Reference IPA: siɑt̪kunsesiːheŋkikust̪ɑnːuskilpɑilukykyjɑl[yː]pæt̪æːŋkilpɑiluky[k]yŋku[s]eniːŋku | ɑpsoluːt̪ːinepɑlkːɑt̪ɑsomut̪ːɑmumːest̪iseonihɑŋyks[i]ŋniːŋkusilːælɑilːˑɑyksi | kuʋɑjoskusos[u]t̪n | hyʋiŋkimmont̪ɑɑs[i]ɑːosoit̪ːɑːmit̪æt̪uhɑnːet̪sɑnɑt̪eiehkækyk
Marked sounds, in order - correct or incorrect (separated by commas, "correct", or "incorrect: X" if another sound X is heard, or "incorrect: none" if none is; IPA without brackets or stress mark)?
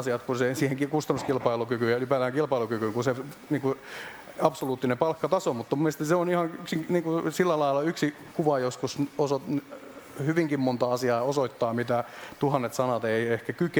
incorrect: y, correct, correct, correct, incorrect: o, correct